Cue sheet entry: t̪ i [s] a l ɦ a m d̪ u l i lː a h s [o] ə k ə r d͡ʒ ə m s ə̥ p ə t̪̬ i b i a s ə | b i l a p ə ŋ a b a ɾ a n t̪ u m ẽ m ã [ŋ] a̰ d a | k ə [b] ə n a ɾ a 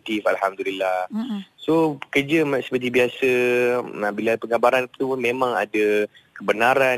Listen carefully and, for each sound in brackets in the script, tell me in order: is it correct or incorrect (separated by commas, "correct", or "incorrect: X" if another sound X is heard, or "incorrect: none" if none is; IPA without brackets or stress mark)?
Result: incorrect: f, correct, correct, correct